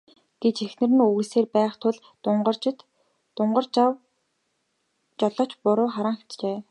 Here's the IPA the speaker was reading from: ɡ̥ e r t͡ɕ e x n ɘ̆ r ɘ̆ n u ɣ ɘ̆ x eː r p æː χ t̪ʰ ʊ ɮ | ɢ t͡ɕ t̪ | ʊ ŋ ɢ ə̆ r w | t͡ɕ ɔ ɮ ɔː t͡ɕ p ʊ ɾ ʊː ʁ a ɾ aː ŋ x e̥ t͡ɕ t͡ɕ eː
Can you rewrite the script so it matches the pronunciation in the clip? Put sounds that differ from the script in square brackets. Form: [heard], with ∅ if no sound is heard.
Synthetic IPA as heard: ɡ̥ e [∅] t͡ɕ e x n ɘ̆ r ɘ̆ n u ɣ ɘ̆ [s] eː r p æː χ t̪ʰ ʊ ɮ | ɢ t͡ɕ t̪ | ʊ [ɴ] ɢ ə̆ r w | t͡ɕ ɔ ɮ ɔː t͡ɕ p ʊ ɾ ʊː [χ] a ɾ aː ŋ x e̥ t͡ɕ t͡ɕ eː